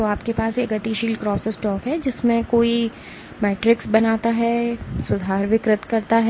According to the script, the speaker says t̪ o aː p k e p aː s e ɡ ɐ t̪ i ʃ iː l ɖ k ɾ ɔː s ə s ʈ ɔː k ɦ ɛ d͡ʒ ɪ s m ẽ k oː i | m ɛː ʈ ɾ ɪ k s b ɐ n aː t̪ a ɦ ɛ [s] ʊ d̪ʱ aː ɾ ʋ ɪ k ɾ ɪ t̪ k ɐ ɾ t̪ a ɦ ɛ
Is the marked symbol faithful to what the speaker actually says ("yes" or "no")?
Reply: yes